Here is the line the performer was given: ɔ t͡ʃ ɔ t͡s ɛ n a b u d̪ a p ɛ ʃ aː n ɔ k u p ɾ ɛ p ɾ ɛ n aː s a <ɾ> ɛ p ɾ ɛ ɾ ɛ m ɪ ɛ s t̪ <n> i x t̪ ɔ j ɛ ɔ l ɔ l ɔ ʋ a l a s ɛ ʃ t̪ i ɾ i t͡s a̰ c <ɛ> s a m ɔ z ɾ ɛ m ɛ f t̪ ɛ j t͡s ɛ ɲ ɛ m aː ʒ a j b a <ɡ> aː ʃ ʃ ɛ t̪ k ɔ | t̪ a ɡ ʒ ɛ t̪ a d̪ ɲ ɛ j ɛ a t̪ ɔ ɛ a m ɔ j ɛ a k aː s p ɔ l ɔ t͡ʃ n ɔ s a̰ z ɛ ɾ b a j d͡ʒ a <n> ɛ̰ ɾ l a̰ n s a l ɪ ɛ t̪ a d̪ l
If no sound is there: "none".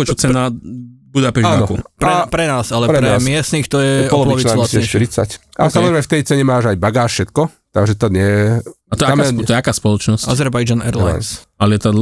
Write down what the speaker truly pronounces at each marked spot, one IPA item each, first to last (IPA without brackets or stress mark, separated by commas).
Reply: l, n, a, ɡ, n